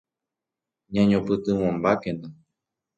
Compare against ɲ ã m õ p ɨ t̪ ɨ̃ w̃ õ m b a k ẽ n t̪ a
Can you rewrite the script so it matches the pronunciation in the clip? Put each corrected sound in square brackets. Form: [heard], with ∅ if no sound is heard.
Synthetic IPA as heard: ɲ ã [ɲ] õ p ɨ t̪ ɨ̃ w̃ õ m b a k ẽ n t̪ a